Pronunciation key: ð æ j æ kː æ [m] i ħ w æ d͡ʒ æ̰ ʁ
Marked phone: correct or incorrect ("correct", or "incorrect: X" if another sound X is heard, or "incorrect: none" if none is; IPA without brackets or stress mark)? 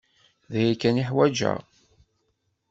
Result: incorrect: n